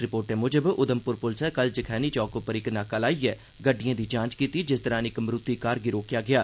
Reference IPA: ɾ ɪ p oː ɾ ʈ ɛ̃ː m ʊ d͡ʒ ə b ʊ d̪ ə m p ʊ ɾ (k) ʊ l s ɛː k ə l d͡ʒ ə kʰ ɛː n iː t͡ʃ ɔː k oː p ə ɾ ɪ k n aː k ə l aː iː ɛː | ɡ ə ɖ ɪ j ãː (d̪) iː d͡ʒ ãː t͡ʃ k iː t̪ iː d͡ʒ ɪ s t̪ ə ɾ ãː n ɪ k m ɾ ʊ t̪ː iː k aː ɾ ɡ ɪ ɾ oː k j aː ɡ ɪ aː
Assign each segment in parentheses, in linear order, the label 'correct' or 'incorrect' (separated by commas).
incorrect, correct